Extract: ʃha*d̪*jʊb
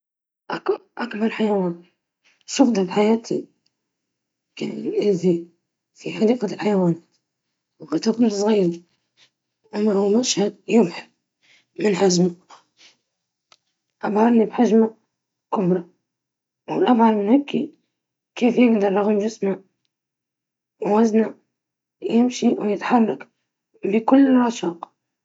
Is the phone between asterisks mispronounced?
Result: no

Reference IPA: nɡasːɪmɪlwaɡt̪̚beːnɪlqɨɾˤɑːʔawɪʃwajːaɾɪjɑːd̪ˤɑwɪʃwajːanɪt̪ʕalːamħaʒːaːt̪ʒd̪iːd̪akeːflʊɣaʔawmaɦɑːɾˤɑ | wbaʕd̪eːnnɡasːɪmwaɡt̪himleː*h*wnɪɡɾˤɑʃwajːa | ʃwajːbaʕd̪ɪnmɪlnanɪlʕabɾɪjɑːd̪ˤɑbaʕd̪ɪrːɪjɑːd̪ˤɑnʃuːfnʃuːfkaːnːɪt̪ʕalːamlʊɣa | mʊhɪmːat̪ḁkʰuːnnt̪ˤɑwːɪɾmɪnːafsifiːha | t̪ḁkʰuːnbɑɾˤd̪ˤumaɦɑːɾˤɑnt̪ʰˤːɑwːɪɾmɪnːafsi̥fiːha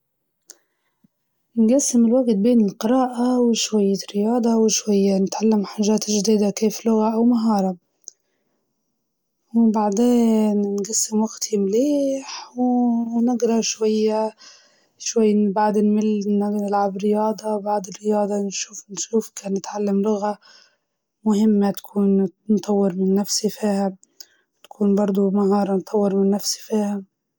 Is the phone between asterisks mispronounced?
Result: yes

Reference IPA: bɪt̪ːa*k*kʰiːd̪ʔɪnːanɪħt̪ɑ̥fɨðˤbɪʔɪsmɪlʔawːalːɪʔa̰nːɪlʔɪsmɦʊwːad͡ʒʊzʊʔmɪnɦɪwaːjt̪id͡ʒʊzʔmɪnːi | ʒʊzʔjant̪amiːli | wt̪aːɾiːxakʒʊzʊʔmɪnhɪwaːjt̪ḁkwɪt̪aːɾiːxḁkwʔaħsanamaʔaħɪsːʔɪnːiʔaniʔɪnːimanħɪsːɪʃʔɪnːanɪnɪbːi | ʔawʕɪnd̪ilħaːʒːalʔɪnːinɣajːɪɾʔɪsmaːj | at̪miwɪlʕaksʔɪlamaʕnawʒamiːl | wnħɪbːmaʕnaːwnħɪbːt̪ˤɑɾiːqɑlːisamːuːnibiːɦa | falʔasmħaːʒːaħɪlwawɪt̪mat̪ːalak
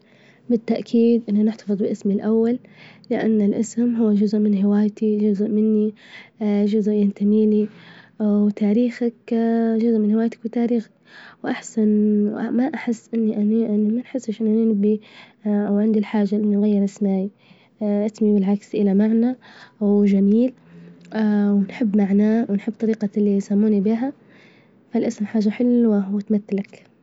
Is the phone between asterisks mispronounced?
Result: yes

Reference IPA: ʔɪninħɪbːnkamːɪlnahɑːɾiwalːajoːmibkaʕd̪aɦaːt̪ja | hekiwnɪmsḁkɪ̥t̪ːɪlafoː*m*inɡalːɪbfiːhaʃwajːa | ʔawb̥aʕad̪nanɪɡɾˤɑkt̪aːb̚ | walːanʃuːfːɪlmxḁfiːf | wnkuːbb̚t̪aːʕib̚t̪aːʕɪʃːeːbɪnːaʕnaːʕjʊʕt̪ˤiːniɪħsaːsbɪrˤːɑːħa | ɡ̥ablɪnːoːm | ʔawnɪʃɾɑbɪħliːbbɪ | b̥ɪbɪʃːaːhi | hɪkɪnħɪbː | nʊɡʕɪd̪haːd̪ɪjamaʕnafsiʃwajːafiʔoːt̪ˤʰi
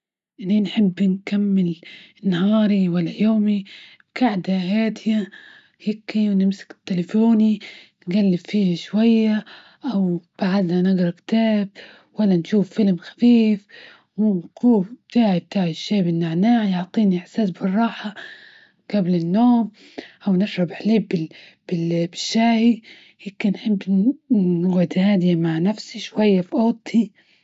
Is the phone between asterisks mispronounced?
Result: yes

